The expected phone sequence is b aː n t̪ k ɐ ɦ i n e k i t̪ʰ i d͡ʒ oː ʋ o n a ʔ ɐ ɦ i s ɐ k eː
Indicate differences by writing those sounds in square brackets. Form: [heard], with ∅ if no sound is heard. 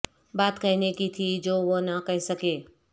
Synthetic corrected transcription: b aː [∅] t̪ k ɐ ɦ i n e k i t̪ʰ i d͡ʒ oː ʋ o n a [k] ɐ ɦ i s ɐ k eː